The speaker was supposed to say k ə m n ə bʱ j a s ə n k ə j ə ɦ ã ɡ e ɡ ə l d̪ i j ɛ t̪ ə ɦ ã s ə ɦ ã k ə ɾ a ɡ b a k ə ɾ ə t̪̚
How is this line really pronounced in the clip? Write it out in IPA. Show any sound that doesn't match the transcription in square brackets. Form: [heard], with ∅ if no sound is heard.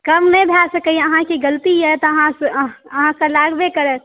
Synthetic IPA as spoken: k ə m n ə bʱ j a s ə [∅] k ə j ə ɦ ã [k] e ɡ ə l [t̪] i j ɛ t̪ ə ɦ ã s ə ɦ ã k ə [l] a ɡ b [e] k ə ɾ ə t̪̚